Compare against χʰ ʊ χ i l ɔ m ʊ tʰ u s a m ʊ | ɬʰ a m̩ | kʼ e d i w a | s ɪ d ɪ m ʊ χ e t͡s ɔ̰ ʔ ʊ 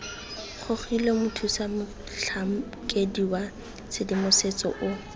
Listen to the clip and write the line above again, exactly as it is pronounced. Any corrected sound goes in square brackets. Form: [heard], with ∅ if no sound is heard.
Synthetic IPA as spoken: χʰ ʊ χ i l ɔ m ʊ tʰ u s a m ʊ | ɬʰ a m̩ | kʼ e d i w a | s ɪ d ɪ m ʊ [s] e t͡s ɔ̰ ʔ ʊ